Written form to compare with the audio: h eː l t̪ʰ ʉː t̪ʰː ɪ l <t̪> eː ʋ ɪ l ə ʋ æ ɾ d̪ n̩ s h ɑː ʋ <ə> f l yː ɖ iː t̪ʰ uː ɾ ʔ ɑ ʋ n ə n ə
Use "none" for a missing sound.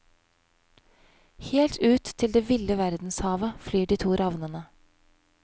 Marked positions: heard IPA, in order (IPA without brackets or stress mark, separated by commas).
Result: d̪, ə